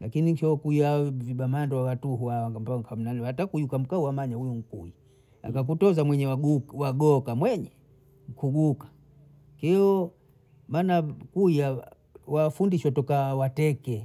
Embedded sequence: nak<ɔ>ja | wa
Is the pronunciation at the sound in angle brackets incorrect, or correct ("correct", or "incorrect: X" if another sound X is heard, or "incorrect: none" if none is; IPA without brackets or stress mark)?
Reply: incorrect: u